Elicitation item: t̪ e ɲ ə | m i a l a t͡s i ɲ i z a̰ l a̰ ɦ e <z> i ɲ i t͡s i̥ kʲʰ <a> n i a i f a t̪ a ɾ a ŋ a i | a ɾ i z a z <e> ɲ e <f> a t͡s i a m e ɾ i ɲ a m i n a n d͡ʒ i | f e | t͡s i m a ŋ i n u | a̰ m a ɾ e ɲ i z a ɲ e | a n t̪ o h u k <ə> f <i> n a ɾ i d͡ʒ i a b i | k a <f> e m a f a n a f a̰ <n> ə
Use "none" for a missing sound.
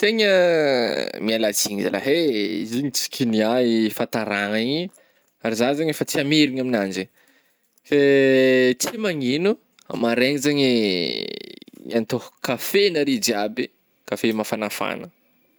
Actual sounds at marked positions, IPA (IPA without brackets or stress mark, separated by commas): z, i, a, f, a, e, f, n